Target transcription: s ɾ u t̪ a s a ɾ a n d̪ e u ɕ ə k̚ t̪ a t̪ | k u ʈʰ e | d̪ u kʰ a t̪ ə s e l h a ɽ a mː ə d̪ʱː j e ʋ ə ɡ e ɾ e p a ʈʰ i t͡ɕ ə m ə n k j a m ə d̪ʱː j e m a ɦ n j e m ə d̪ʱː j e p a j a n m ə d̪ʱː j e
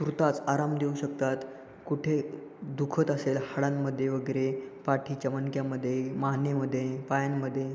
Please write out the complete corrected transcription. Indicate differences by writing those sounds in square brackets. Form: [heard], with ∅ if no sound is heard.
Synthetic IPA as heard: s ɾ u t̪ a [t͡s] a ɾ a [m] d̪ e u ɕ ə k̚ t̪ a t̪ | k u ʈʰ e | d̪ u kʰ [ə] t̪ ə s e l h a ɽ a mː ə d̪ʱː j e ʋ ə ɡ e ɾ e p a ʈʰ i t͡ɕ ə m ə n k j a m ə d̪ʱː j e m a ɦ n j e m ə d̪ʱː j e p a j a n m ə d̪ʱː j e

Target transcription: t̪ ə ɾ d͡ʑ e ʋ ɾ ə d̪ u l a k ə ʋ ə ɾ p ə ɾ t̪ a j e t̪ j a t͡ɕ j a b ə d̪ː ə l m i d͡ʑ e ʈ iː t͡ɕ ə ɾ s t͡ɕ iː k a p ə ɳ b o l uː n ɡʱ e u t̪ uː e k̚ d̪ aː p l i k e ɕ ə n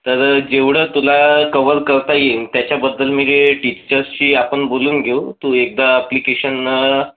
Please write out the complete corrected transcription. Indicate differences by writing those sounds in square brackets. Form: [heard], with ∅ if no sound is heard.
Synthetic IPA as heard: t̪ ə ɾ d͡ʑ e ʋ [ɽ] ə [t̪] u l a k ə ʋ ə ɾ [k] ə ɾ t̪ a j e t̪ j a t͡ɕ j a b ə d̪ː ə l m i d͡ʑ e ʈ [i] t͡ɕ ə ɾ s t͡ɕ iː [∅] a p ə ɳ b o l uː n ɡʱ e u t̪ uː e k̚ d̪ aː p l i k e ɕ ə n

